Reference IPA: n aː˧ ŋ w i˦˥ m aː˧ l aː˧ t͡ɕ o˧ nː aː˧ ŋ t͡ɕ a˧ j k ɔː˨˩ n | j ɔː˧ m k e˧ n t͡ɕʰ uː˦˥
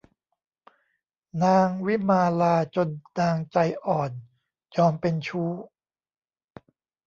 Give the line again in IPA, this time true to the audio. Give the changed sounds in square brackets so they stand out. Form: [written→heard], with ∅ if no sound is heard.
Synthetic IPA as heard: n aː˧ ŋ w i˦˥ m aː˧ l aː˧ t͡ɕ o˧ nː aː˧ ŋ t͡ɕ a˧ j [k→ʔ] ɔː˨˩ n | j ɔː˧ m [k→p] e˧ n t͡ɕʰ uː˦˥